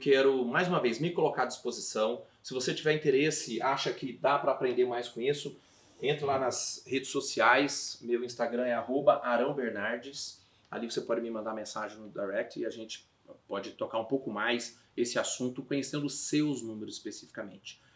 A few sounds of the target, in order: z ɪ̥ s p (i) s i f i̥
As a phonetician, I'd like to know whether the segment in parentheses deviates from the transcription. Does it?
yes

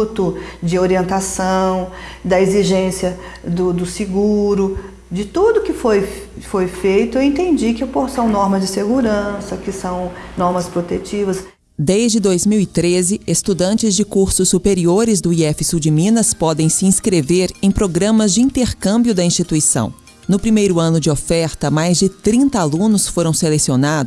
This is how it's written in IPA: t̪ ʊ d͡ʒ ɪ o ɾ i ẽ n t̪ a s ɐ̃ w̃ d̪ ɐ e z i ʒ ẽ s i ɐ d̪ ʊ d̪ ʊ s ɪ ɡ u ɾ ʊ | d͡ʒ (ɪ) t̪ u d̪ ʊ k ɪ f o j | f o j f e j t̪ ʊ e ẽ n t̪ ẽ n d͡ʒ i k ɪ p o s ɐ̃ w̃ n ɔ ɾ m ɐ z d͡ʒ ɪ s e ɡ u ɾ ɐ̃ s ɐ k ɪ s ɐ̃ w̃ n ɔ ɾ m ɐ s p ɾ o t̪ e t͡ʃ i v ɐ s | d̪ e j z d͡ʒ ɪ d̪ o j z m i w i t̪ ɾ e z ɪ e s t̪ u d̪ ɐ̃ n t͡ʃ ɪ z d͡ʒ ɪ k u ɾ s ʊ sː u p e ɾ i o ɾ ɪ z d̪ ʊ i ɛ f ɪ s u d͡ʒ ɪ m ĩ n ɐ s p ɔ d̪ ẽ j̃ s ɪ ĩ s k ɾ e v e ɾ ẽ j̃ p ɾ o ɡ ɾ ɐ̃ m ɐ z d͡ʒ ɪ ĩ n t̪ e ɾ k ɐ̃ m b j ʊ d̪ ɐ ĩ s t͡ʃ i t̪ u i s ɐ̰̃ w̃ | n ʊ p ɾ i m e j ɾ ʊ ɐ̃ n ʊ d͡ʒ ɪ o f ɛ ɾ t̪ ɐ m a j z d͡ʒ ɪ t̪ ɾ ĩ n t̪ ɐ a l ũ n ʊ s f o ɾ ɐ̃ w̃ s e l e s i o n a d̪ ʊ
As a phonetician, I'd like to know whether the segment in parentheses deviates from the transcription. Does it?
no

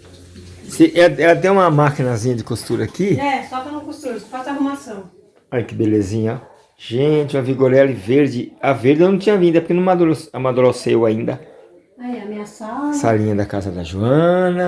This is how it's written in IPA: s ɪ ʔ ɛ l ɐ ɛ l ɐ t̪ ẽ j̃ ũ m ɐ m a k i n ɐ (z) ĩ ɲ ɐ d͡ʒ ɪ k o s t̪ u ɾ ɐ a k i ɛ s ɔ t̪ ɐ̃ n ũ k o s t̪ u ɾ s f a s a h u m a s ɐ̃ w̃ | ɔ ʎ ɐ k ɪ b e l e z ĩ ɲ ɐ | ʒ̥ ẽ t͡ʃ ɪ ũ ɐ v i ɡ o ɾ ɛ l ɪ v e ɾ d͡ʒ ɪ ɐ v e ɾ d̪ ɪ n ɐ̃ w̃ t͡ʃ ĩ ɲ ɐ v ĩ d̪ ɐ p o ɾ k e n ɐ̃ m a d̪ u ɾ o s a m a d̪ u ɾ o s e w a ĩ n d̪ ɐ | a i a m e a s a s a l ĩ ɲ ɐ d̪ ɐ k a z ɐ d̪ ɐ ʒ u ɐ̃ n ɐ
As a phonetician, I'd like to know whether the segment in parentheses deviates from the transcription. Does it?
no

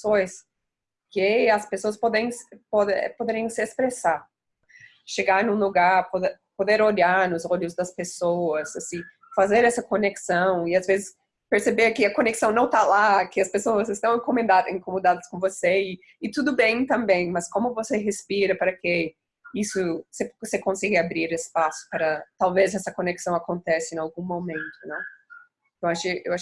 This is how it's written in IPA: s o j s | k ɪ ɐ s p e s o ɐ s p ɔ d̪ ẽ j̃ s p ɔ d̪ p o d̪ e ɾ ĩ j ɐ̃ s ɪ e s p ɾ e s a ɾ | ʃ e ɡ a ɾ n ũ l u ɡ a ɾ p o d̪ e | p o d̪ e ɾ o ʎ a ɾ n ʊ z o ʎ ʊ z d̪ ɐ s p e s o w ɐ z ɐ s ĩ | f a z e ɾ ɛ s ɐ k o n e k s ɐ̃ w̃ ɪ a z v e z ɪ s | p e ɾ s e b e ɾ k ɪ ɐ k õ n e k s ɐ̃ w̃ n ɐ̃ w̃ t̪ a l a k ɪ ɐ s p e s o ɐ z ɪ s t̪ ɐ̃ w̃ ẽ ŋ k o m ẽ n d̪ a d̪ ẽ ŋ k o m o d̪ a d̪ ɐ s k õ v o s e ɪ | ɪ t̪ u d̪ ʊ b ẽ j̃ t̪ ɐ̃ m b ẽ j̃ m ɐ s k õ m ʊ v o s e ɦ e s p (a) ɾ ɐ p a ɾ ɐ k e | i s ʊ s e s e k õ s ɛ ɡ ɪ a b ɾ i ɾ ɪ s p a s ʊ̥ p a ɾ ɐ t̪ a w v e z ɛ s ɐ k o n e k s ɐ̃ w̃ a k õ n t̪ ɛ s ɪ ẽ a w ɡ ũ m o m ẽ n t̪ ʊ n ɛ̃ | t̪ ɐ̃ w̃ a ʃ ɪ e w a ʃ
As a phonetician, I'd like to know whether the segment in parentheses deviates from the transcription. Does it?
yes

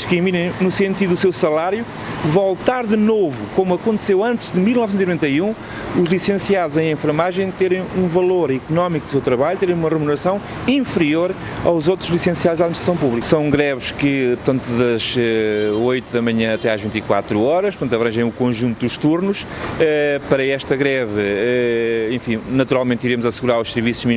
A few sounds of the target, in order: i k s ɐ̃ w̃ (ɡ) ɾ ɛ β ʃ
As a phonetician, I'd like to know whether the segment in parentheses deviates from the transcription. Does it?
no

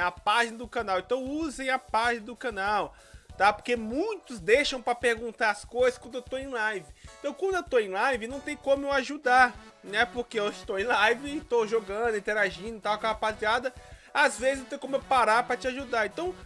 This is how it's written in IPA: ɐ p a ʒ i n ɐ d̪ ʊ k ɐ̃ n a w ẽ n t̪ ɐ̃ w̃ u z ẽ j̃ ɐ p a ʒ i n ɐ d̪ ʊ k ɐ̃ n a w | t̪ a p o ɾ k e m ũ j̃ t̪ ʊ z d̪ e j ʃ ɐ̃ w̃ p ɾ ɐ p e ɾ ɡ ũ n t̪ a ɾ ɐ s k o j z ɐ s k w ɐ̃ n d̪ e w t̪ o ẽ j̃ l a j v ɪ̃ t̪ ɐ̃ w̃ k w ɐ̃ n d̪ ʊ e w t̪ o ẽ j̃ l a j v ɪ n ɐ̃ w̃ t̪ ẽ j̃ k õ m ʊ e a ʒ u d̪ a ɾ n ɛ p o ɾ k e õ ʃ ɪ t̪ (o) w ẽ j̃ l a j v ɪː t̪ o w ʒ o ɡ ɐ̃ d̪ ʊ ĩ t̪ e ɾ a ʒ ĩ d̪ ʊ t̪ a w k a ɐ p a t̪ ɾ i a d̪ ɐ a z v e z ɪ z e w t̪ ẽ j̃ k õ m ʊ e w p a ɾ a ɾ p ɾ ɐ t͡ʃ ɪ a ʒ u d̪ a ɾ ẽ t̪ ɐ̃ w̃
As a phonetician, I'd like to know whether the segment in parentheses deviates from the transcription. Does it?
no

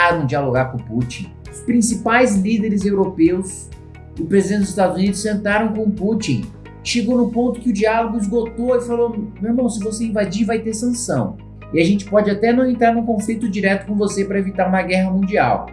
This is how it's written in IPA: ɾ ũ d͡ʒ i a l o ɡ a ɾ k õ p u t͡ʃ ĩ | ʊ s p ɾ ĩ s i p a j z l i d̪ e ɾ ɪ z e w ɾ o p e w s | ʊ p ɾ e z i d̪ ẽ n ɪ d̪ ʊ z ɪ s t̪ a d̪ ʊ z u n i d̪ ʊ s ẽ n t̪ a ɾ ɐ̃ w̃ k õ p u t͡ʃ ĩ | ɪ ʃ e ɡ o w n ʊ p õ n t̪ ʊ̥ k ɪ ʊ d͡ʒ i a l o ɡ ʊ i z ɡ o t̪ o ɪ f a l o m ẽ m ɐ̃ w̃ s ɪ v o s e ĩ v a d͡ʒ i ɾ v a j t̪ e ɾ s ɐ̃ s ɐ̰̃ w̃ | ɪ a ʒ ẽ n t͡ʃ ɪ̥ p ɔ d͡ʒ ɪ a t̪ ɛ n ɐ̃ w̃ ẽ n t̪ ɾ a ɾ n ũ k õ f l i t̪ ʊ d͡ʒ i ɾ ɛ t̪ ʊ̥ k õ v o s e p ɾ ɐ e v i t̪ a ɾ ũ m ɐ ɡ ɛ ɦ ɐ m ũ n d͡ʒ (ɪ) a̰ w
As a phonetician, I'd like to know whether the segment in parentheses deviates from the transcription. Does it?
yes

